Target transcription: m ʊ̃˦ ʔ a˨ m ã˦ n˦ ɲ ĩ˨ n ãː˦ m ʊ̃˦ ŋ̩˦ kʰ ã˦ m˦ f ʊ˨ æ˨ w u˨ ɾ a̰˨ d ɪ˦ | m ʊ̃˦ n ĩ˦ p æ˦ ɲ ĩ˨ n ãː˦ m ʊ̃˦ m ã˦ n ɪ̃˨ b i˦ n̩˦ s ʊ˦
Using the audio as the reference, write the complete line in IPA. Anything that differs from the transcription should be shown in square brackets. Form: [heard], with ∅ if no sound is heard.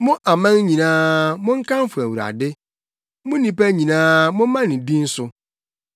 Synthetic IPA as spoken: m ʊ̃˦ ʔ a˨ m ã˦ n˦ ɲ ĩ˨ n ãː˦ m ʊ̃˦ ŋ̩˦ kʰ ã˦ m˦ f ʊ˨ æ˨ w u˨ ɾ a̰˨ d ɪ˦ | m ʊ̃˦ n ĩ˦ p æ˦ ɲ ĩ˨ n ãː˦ m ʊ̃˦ m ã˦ n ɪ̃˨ b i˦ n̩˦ s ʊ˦